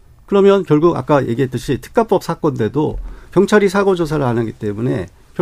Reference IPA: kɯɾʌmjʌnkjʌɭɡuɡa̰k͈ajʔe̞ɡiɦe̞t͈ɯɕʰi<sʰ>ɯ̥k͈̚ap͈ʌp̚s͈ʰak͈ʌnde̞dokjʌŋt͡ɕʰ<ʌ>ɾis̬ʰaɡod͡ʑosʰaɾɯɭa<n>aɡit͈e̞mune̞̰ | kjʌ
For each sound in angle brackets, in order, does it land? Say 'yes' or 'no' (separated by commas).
no, no, yes